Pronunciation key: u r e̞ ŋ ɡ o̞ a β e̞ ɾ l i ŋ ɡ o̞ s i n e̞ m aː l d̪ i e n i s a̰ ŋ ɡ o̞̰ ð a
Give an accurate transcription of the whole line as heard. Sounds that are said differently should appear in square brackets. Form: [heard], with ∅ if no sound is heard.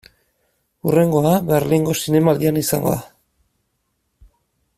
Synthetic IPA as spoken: u r e̞ ŋ ɡ o̞ a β e̞ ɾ l i ŋ ɡ o̞ s i n e̞ m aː l d̪ i [a] n i s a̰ ŋ ɡ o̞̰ ð a